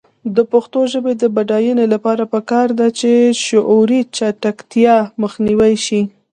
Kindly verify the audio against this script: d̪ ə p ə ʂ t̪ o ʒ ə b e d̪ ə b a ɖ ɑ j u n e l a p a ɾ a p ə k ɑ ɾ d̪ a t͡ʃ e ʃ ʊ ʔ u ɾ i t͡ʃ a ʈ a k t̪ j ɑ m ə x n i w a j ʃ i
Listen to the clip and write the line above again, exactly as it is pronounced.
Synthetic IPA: d̪ ə p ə x t̪ o ʒ ə b e d̪ ə b a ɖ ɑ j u n e l a p ɑ ɾ a p ə k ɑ ɾ d̪ a t͡ʃ e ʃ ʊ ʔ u ɾ i t͡ʃ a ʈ a k t̪ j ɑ m ə x n i w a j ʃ i